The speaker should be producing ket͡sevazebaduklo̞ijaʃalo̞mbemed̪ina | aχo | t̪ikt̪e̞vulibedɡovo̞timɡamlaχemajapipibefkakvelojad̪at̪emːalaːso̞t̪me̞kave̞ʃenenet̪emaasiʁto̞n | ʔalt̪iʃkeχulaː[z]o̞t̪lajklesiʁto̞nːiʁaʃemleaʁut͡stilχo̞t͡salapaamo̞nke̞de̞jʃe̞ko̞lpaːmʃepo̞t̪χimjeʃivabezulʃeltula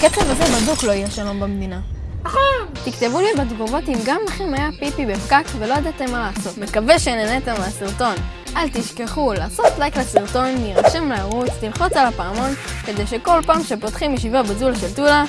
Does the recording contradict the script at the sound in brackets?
yes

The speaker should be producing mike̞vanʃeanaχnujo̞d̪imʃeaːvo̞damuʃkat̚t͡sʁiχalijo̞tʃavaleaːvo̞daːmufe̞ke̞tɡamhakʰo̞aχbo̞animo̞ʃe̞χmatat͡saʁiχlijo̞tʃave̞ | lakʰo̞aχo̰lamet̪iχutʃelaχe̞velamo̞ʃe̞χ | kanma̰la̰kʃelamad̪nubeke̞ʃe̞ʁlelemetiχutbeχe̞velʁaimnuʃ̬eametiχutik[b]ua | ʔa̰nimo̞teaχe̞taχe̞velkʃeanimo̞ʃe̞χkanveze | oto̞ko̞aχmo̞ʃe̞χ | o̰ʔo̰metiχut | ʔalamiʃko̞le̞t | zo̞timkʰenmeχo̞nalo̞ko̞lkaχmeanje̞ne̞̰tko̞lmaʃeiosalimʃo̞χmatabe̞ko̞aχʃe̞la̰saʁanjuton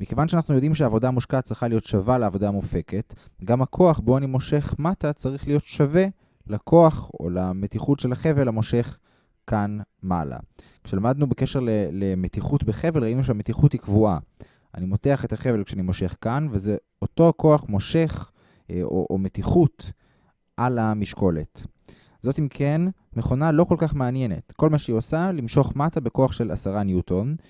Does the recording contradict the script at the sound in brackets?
yes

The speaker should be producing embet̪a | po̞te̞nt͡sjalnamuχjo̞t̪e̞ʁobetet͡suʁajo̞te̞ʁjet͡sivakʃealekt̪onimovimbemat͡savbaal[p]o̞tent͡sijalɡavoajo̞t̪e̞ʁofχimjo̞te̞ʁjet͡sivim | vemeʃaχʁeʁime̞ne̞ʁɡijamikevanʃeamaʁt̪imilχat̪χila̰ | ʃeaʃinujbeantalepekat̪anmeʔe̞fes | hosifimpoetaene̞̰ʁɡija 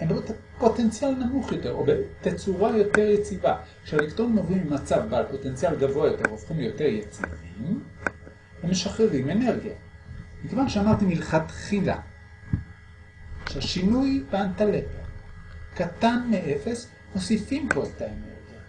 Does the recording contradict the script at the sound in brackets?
no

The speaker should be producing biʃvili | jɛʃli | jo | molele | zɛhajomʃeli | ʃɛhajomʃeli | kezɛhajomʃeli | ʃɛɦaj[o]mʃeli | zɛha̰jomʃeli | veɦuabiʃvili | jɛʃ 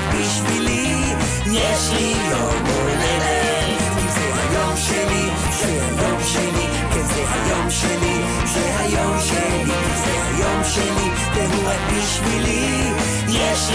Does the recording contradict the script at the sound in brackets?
no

